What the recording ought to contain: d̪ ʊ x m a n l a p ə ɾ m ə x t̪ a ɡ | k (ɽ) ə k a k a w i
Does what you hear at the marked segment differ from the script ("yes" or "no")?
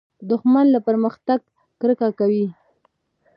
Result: yes